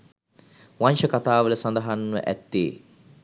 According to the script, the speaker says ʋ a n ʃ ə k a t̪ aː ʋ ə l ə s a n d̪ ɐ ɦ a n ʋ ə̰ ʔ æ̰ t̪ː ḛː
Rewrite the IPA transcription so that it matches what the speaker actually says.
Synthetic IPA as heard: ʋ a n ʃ ə k a t̪ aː ʋ ə l ə s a n d̪ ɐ ɦ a n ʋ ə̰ ʔ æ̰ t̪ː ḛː